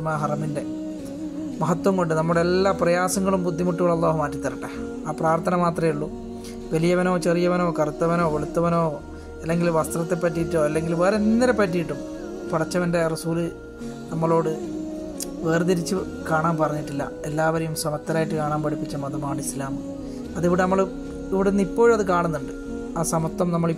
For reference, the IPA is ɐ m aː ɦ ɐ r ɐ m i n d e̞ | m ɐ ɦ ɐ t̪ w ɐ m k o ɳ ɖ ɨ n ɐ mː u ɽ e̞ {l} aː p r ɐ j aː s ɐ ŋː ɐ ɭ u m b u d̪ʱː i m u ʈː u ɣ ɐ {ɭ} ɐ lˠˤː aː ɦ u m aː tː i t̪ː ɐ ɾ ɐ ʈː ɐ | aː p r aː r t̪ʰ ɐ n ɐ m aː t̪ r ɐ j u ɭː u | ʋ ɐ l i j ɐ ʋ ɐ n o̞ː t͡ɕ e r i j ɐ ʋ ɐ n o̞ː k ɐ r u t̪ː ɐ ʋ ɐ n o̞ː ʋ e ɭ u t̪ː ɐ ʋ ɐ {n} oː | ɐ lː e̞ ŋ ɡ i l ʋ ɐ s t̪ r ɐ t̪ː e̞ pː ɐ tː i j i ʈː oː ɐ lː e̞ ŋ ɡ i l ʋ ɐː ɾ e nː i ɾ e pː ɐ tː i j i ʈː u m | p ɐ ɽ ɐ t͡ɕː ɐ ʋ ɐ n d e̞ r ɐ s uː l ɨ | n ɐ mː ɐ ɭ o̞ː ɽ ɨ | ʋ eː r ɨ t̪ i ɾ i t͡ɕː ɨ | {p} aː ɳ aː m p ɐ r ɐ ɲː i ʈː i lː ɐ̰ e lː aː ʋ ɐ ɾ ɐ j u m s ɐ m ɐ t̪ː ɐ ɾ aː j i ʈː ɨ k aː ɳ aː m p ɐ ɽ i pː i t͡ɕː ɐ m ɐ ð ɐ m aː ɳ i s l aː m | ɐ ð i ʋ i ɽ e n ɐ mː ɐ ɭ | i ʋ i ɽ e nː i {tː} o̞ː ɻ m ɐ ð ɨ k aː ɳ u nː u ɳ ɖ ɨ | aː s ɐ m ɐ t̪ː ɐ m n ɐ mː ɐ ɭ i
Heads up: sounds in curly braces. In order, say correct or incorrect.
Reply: incorrect, correct, correct, incorrect, incorrect

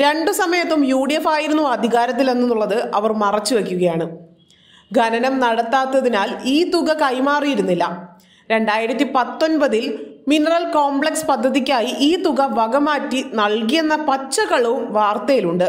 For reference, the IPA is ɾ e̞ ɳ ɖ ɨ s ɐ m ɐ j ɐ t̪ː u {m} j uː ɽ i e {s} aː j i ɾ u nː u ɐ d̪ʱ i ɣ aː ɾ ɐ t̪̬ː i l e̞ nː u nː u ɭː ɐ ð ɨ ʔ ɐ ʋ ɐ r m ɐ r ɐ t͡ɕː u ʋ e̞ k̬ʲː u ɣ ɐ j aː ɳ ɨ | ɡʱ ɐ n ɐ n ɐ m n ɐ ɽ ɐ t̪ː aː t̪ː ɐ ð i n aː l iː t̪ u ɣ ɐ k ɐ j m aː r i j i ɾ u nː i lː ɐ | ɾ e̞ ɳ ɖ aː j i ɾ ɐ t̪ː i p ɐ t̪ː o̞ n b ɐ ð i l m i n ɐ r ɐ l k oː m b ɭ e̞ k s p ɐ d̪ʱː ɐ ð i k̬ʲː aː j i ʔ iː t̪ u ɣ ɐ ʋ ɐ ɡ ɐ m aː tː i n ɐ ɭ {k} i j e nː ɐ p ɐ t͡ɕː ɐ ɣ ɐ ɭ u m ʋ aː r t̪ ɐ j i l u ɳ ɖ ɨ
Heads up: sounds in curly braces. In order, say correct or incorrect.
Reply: correct, incorrect, correct

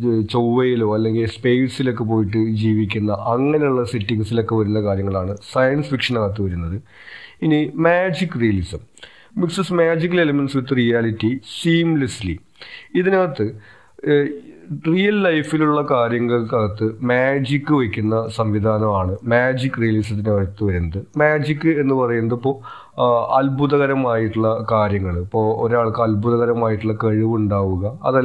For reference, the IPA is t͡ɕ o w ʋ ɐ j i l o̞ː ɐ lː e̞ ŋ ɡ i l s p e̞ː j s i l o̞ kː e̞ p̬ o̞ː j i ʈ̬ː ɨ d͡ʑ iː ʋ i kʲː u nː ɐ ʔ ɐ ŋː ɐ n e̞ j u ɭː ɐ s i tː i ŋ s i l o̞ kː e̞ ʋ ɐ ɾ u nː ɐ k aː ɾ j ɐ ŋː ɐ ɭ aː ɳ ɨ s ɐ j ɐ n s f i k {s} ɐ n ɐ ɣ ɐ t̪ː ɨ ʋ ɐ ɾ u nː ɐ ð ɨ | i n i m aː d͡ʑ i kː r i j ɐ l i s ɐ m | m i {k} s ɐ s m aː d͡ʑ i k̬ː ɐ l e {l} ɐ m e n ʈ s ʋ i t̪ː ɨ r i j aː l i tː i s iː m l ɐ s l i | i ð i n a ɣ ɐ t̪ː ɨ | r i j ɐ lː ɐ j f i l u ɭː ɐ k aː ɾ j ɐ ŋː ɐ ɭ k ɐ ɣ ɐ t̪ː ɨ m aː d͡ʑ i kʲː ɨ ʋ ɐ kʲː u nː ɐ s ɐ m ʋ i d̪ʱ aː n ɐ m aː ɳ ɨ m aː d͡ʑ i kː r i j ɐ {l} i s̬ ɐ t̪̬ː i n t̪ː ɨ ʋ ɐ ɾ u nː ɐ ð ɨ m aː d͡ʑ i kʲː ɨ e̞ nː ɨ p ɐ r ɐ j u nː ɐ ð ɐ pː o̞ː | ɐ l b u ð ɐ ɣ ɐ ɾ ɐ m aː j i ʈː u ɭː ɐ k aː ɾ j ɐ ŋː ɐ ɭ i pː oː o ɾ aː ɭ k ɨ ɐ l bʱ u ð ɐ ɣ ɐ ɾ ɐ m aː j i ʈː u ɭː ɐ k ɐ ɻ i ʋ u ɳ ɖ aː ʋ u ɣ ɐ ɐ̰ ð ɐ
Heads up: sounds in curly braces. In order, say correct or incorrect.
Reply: incorrect, correct, correct, correct

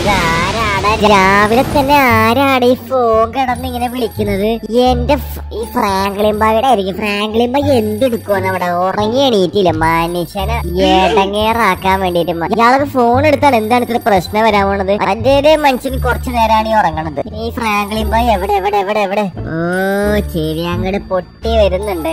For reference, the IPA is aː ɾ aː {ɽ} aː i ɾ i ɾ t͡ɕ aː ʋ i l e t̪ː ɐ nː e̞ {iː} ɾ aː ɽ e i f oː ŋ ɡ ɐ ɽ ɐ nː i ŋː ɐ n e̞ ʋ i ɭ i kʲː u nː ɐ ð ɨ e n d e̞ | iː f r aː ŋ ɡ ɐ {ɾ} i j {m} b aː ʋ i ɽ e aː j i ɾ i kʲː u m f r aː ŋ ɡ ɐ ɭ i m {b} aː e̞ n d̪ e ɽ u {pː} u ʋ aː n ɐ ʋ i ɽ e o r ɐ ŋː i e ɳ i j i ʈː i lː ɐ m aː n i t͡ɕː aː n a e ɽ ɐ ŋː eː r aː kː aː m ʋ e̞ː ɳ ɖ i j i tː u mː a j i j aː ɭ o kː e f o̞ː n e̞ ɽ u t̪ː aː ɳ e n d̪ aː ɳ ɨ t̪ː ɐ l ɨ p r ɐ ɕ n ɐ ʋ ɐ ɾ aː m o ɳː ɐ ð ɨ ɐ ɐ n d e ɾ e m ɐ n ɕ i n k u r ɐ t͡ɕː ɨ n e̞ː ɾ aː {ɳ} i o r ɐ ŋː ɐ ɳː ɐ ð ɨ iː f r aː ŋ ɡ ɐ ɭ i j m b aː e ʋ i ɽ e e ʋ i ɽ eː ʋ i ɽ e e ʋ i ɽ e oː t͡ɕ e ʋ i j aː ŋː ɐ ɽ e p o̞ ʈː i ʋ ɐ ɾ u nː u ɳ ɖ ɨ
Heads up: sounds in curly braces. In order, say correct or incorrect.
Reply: correct, incorrect, incorrect, correct, correct, incorrect, correct

